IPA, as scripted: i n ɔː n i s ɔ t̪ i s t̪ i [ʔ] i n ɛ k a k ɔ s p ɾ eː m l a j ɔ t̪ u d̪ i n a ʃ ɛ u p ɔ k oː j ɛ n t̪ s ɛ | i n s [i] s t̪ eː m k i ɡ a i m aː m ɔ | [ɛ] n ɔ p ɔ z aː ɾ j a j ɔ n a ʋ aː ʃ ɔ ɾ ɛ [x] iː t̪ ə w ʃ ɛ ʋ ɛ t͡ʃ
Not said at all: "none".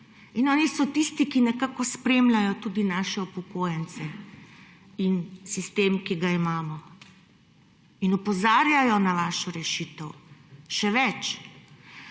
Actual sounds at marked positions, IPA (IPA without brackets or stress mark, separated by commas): k, i, i, ʃ